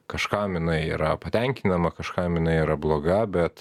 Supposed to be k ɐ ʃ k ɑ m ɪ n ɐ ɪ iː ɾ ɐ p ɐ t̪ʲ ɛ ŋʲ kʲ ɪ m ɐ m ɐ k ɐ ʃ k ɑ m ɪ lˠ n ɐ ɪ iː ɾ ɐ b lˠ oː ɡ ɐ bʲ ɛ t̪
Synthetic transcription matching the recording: k ɐ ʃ k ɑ m ɪ n ɐ ɪ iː ɾ ɐ p ɐ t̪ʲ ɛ ŋʲ kʲ ɪ n ɐ m ɐ k ɐ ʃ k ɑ m ɪ n ɐ ɪ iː ɾ ɐ b lˠ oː ɡ ɐ bʲ ɛ t̪